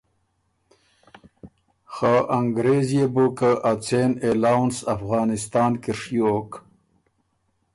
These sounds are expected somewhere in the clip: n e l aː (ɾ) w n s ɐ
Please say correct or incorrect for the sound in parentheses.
incorrect